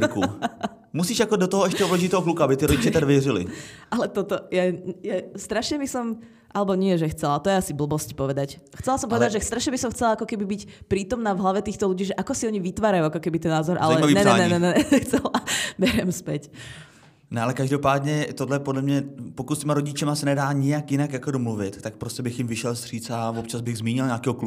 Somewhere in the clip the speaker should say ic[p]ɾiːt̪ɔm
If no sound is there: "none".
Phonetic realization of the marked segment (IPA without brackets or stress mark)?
p